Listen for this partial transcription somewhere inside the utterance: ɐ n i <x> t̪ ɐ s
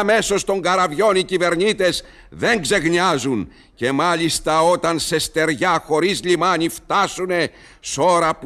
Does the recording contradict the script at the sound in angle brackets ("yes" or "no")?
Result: yes